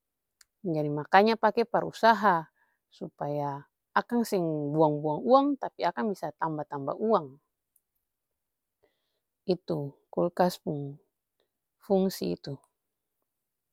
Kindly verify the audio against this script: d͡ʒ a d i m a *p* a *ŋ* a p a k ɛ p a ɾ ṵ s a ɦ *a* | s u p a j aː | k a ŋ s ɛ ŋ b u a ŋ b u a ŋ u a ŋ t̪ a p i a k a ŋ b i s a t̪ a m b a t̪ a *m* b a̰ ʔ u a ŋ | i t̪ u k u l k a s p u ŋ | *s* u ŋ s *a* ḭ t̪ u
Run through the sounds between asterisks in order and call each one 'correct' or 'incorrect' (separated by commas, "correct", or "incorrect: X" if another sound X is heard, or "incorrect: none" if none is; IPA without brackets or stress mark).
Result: incorrect: k, incorrect: ɲ, correct, correct, incorrect: f, incorrect: i